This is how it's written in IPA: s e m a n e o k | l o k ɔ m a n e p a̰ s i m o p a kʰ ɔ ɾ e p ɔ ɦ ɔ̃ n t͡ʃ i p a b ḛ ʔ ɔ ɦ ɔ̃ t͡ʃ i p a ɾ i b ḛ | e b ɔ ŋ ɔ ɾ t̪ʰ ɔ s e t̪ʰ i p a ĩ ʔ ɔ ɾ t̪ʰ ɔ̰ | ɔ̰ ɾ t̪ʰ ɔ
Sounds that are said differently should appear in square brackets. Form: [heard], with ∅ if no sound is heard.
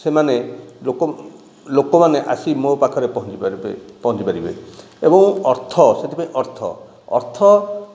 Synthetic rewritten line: s e m a n e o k | l o k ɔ m a n e [ʔ] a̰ s i m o p a kʰ ɔ ɾ e p ɔ ɦ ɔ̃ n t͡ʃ i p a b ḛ [p] ɔ ɦ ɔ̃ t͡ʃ i p a ɾ i b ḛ | e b ɔ ŋ ɔ ɾ t̪ʰ ɔ s e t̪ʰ i p a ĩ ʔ ɔ ɾ t̪ʰ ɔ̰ | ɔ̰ ɾ t̪ʰ ɔ

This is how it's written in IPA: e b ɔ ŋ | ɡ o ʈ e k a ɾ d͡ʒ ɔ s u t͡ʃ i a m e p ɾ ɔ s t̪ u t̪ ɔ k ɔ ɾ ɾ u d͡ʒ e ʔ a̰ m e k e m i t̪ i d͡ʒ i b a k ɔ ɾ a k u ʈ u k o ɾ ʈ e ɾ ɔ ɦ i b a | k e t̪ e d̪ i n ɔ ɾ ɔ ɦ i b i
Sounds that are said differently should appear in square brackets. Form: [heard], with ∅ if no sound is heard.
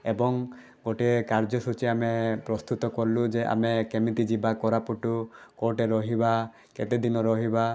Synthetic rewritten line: e b ɔ ŋ | ɡ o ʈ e k a ɾ d͡ʒ ɔ s u t͡ʃ i a m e p ɾ ɔ s t̪ u t̪ ɔ k ɔ ɾ [l] u d͡ʒ e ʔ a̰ m e k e m i t̪ i d͡ʒ i b a k ɔ ɾ a [p] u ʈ u k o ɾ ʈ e ɾ ɔ ɦ i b a | k e t̪ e d̪ i n ɔ ɾ ɔ ɦ i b [a]

